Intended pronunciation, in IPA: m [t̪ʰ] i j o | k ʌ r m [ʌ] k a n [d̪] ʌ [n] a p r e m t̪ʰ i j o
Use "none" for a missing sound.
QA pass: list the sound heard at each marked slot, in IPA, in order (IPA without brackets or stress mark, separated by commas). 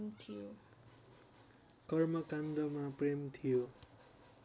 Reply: t̪ʰ, ʌ, d̪, m